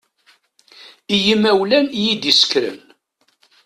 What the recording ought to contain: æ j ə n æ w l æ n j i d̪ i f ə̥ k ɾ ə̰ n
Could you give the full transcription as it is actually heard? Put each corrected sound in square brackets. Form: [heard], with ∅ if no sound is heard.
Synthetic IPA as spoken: [i] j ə [m] æ w l æ n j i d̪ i [s] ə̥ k ɾ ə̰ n

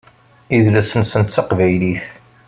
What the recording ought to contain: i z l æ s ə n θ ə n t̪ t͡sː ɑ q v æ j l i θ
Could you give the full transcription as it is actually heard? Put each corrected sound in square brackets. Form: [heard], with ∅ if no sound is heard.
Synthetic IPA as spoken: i [ð] l æ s ə n [s] ə n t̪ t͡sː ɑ q v æ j l i θ

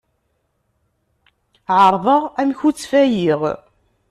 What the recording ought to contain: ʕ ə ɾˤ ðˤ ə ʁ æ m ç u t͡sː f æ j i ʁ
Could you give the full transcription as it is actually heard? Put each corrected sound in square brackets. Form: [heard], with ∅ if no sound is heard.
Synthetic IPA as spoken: ʕ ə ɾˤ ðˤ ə ʁ æ m ç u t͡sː f æ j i ʁ

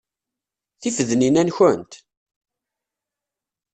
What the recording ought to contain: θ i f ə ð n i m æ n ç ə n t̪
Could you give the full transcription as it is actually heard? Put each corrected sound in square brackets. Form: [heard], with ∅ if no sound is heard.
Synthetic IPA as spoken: θ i f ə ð n i [n] æ n ç ə n t̪

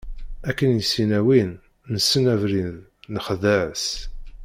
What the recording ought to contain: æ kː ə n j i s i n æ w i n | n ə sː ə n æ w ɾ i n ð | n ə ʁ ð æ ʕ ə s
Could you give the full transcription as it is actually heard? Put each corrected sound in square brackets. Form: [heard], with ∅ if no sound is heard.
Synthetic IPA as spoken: æ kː ə n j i s i n æ w i n | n ə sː ə n æ [v] ɾ i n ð | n ə [χ] ð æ ʕ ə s

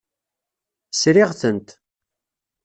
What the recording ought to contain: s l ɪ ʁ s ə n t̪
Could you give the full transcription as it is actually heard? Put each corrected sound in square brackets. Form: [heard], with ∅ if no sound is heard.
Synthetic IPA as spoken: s [ɾ] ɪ ʁ [θ] ə n t̪

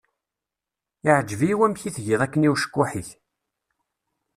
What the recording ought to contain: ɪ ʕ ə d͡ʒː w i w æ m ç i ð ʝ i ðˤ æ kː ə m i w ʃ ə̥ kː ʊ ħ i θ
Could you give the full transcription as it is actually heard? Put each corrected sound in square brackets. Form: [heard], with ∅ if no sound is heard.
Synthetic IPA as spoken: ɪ ʕ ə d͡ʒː [v] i w æ m ç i [θ] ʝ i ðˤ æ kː ə [n] i w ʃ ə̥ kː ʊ ħ i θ

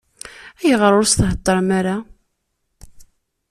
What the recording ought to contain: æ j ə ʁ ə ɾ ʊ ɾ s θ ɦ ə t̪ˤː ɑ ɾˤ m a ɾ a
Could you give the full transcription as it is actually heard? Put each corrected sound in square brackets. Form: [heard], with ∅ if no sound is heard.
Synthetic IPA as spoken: æ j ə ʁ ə ɾ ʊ ɾ s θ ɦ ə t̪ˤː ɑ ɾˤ m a ɾ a

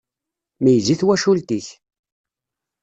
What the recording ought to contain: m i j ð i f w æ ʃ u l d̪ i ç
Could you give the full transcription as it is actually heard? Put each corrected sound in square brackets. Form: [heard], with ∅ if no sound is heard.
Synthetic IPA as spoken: m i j [z] i [θ] w æ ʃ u l [t̪] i ç

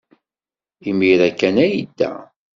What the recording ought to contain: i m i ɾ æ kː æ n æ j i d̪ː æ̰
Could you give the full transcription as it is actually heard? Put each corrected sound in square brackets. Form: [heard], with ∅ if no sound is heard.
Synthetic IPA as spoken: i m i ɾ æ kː æ n æ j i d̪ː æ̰

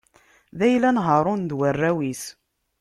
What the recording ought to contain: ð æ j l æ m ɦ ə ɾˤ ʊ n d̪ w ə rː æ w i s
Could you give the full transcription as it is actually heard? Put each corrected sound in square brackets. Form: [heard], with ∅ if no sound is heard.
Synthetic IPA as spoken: ð æ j l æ [n] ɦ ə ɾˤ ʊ n d̪ w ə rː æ w i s

